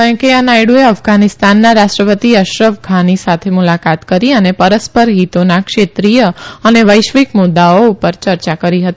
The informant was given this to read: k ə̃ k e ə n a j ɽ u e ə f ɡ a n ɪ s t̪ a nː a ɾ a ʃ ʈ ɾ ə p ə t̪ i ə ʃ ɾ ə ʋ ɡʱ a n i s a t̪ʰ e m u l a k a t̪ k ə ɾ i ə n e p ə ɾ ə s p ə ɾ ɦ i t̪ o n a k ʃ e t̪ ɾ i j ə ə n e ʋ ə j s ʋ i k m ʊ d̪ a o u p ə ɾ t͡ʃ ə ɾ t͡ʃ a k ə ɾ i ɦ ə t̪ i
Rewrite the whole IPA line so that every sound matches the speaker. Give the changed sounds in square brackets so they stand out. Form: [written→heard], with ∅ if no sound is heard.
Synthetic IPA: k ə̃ k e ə n a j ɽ u e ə f ɡ a n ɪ s t̪ a nː a ɾ a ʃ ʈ ɾ ə p ə t̪ i ə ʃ ɾ ə ʋ ɡʱ a n i s a t̪ʰ e m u l a k a t̪ k ə ɾ i ə n e p ə ɾ ə s p ə ɾ ɦ i t̪ o n a k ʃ e t̪ ɾ i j ə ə n e ʋ ə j [s→ʃ] ʋ i k m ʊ d̪ a o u p ə ɾ t͡ʃ ə ɾ t͡ʃ a k ə ɾ i ɦ ə t̪ i